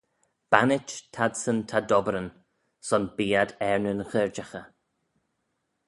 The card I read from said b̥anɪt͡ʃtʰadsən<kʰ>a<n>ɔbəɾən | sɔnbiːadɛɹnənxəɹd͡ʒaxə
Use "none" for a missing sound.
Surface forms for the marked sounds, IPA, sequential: tʰ, d

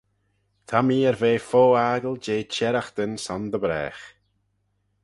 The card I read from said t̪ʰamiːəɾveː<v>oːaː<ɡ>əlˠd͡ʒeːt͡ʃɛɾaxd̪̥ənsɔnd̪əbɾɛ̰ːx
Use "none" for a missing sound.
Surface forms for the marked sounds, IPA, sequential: f, ɡ

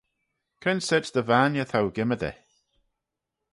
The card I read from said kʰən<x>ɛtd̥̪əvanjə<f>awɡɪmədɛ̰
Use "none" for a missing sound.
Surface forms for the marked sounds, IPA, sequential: s, θ

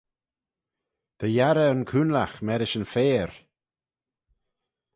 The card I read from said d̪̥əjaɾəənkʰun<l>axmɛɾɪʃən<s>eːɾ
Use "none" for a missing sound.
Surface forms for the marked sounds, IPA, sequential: l, f

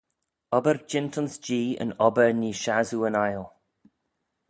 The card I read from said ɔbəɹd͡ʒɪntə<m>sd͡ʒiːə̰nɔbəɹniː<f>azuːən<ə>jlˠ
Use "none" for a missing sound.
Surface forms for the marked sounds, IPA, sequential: n, ʃ, a

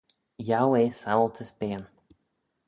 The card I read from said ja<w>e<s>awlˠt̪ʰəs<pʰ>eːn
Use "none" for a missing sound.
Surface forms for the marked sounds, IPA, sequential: w, s, p

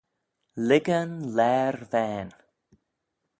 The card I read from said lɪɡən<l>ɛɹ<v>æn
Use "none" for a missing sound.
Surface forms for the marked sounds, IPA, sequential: l, v

